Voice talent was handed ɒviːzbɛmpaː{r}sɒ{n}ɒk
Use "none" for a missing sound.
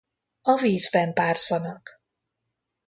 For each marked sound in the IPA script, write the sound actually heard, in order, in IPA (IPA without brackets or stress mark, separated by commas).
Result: r, n